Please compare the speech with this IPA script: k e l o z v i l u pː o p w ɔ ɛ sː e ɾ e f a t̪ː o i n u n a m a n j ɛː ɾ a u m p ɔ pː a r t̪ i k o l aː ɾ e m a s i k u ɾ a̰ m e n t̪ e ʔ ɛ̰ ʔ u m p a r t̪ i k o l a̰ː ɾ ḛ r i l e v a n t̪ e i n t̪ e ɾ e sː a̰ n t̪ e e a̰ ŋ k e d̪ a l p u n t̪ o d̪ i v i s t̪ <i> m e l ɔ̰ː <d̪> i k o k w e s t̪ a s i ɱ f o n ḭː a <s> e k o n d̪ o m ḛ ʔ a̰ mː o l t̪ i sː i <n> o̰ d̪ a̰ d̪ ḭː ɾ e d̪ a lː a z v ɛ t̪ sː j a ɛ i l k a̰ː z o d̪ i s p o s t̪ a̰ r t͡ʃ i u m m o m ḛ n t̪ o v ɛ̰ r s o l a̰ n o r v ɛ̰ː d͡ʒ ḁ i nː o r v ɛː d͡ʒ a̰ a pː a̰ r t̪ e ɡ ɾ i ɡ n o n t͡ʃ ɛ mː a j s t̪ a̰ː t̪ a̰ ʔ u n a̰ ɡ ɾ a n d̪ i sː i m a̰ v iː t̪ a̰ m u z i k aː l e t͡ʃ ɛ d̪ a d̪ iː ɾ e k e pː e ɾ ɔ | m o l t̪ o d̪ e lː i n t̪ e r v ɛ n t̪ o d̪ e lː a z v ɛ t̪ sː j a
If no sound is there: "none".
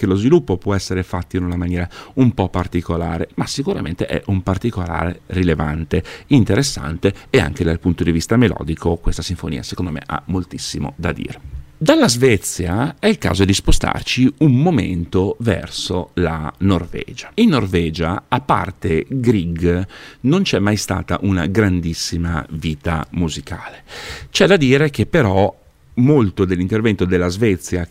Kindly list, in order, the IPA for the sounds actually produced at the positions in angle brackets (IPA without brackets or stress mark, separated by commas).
a, d̪, s, m